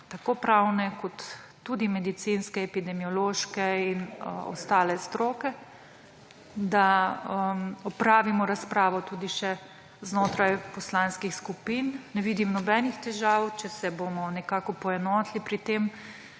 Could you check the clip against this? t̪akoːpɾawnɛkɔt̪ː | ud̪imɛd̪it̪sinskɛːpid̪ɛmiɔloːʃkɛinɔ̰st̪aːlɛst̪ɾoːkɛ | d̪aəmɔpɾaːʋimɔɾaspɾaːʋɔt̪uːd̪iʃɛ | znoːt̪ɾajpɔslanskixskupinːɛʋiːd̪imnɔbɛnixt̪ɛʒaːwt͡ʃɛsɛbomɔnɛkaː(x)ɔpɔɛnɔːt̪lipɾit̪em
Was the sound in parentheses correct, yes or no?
no